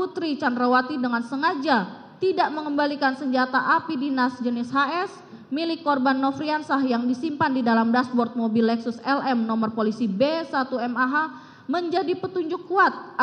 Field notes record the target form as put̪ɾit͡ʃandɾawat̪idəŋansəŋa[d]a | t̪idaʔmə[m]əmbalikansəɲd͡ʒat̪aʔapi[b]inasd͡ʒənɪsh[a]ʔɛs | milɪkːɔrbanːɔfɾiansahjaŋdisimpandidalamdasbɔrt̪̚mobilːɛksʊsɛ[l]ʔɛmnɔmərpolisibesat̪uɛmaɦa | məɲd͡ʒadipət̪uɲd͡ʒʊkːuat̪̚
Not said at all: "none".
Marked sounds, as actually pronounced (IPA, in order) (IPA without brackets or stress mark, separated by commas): d͡ʒ, ŋ, d, a, l